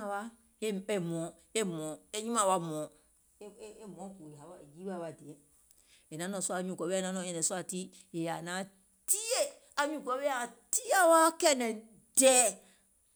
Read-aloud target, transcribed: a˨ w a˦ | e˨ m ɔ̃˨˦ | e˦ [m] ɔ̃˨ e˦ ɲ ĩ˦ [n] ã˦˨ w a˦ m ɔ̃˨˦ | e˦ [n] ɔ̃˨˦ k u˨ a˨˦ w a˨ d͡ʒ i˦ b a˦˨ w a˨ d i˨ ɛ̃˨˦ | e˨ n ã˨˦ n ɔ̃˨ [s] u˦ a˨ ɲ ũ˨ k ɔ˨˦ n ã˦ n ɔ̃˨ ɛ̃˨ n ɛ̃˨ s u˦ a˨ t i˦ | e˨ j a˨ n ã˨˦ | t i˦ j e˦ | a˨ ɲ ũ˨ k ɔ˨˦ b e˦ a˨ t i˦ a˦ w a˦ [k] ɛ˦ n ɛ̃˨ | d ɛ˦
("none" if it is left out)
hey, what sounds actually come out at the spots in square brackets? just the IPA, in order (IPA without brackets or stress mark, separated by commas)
m, m, m, s, k